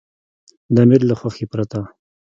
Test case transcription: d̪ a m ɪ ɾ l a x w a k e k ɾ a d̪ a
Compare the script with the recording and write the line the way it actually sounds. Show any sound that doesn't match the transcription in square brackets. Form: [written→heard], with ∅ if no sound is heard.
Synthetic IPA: d̪ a m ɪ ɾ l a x w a [k→x] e [k→p] ɾ a [d̪→t̪] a